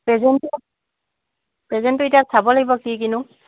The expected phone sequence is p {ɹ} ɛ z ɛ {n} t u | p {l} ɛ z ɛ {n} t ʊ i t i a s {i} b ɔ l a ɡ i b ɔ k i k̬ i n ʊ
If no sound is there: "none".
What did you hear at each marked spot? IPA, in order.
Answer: ɹ, n, ɹ, n, a

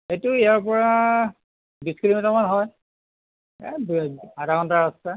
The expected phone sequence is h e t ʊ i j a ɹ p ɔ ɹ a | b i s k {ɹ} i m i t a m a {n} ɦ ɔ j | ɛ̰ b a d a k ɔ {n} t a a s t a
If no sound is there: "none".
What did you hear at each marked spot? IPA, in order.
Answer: l, n, n

